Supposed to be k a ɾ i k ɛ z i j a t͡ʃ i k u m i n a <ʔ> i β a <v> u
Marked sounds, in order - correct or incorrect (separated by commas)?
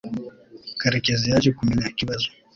incorrect, incorrect